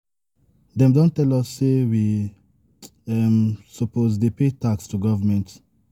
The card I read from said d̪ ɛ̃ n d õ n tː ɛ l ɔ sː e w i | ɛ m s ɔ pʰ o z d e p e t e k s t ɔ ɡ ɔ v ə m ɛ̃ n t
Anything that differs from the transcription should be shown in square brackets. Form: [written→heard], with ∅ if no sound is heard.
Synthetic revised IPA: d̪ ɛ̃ [n→m] d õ n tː ɛ l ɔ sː e w i | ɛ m s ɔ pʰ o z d e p e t [e→a] k s t [ɔ→u] ɡ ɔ v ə m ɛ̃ n t